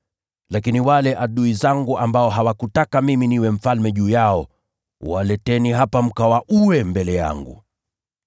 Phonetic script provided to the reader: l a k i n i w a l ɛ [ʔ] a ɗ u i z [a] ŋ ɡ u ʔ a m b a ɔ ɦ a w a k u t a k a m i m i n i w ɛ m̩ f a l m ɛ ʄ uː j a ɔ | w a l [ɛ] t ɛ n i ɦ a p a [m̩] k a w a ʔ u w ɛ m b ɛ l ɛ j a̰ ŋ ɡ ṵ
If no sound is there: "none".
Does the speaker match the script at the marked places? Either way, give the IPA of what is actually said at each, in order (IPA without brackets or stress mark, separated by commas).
ʔ, a, ɛ, m̩